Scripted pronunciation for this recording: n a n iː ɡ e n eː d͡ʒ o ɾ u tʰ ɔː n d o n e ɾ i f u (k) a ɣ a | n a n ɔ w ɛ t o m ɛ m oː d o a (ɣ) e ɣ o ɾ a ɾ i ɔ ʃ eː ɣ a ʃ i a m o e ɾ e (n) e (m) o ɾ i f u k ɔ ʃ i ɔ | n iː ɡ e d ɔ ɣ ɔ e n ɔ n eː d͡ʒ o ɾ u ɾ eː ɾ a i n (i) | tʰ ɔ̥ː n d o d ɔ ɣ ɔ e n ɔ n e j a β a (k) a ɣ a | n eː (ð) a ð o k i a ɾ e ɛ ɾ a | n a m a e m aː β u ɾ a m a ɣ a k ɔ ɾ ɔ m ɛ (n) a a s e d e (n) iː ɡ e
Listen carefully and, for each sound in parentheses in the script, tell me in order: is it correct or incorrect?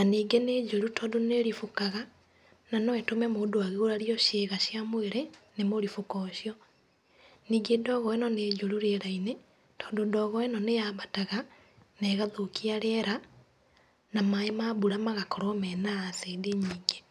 correct, correct, correct, correct, incorrect, incorrect, incorrect, correct, incorrect

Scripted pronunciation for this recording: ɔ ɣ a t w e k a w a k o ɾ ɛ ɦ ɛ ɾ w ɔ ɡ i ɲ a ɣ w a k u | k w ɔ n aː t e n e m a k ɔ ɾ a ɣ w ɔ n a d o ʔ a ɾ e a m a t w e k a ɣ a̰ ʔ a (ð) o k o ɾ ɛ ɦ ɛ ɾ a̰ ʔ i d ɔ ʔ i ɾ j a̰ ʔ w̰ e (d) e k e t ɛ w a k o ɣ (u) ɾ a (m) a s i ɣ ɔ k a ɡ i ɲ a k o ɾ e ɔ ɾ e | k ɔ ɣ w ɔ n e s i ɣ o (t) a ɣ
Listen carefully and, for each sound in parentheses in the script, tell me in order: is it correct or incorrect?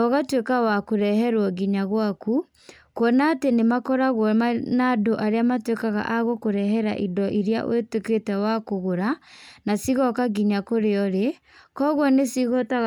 incorrect, incorrect, incorrect, incorrect, correct

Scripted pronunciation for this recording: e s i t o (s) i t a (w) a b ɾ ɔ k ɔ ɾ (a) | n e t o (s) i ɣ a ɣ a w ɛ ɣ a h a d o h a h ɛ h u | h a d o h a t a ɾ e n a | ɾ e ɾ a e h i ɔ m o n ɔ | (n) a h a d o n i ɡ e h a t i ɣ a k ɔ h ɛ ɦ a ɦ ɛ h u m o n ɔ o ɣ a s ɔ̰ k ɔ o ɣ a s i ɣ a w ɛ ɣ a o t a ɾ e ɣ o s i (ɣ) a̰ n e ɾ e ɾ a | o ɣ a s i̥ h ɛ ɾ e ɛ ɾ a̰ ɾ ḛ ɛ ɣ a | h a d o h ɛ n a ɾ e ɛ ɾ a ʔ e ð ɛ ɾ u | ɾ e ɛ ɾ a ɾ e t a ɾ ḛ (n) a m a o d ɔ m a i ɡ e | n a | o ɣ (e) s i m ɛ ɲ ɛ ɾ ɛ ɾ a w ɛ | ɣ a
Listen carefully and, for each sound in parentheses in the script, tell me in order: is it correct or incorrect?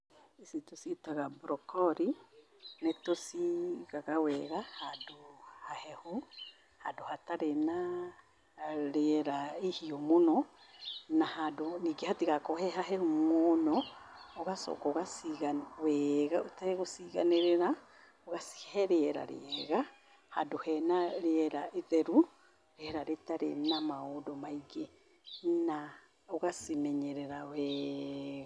correct, incorrect, incorrect, correct, correct, correct, correct, incorrect

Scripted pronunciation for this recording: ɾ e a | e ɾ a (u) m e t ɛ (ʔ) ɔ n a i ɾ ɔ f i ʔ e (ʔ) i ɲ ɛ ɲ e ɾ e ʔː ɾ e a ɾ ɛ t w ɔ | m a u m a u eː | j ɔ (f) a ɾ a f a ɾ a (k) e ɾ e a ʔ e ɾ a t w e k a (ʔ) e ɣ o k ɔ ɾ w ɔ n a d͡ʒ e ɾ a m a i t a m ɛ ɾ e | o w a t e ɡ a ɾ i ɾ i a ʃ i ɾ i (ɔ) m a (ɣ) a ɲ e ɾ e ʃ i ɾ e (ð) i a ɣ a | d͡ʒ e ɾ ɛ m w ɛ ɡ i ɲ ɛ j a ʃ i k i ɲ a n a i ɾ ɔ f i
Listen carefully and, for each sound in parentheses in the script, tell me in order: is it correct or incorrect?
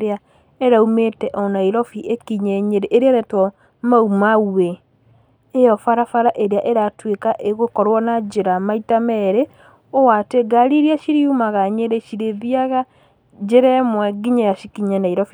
correct, correct, incorrect, correct, incorrect, correct, incorrect, correct, correct

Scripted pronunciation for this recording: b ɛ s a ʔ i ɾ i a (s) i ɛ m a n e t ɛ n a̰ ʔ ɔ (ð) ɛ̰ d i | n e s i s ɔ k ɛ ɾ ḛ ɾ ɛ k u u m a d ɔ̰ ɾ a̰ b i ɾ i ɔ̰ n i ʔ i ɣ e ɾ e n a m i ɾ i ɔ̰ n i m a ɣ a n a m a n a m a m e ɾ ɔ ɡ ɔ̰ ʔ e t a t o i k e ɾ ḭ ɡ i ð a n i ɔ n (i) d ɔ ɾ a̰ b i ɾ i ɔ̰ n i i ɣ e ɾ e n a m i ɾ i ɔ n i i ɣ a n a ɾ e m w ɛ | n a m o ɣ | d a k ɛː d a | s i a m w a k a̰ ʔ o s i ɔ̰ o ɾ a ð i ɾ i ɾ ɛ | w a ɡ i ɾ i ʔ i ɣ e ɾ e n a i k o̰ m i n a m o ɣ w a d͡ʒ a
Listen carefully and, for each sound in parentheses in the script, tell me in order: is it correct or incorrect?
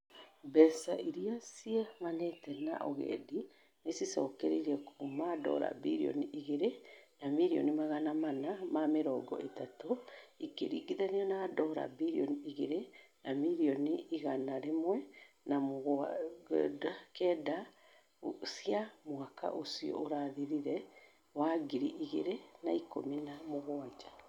correct, incorrect, incorrect

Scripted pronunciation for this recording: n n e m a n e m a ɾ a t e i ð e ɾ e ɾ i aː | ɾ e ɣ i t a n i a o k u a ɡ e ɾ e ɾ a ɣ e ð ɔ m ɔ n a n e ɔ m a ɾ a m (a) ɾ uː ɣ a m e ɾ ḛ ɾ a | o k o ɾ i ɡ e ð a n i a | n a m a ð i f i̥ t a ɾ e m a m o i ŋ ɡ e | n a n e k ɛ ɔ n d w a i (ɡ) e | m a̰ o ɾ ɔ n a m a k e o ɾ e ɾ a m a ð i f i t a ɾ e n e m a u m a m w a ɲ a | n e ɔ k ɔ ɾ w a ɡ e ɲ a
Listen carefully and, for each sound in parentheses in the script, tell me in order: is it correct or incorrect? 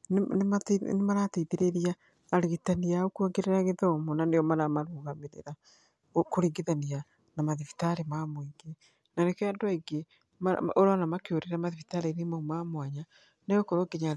correct, correct

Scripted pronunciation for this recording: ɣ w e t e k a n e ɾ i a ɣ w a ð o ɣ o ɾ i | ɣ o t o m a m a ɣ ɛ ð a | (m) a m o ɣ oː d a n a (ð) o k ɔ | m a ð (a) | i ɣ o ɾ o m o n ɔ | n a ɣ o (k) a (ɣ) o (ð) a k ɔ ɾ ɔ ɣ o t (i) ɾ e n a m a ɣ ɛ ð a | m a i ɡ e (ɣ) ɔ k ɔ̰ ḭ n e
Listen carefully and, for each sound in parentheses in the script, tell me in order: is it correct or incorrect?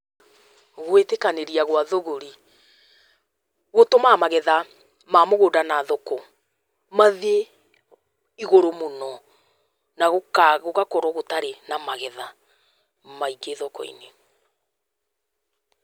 correct, correct, incorrect, correct, correct, incorrect, incorrect, incorrect

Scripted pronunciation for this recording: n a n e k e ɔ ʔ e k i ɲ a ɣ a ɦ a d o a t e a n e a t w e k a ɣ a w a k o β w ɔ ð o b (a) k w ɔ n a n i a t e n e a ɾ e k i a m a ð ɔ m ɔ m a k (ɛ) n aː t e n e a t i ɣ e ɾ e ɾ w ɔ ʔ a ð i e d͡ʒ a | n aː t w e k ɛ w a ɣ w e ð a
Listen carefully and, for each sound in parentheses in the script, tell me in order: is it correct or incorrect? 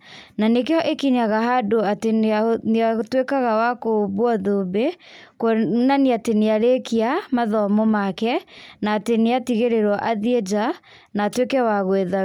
incorrect, correct

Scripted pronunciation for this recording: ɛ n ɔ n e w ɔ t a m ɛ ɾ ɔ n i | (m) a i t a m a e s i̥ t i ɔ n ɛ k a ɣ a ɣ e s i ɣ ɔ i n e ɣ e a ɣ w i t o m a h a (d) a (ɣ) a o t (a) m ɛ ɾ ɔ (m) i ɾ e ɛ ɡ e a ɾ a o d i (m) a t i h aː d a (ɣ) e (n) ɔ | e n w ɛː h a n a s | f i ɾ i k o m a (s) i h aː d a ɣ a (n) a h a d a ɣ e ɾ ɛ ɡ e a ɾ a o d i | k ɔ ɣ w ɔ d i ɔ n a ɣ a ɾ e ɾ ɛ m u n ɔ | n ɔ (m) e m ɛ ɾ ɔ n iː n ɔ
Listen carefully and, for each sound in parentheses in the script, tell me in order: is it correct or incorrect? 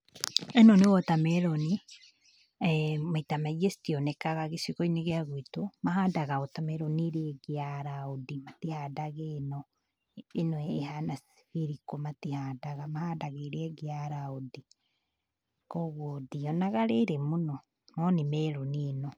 correct, correct, correct, correct, incorrect, correct, correct, correct, incorrect, incorrect, incorrect

